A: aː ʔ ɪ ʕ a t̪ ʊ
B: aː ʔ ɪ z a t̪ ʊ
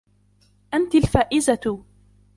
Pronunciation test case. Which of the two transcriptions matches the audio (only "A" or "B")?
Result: B